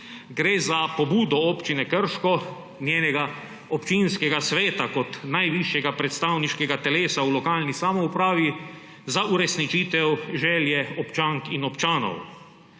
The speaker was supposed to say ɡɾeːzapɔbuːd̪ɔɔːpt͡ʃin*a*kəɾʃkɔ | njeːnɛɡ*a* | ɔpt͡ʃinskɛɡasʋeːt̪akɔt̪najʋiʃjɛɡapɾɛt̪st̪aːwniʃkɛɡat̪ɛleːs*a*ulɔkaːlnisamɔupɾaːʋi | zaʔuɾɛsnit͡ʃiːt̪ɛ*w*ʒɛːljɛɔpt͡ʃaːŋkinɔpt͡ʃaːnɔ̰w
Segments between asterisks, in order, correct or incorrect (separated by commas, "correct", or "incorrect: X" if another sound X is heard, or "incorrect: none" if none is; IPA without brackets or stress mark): incorrect: ɛ, correct, correct, correct